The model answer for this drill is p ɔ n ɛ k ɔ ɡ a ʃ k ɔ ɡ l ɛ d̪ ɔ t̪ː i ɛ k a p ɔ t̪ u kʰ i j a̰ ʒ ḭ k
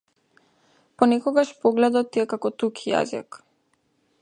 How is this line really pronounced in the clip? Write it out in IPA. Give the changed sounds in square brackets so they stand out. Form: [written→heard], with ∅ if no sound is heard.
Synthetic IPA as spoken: p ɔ n ɛ k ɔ ɡ a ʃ [k→p] ɔ ɡ l ɛ d̪ ɔ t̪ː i ɛ k a [p→k] ɔ t̪ u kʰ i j a̰ [ʒ→z] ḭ k